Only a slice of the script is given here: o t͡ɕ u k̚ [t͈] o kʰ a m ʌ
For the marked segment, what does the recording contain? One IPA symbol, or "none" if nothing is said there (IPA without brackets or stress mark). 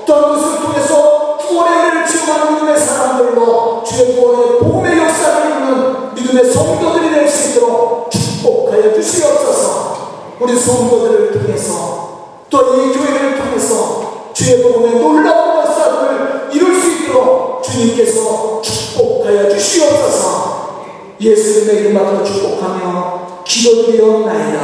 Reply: p͈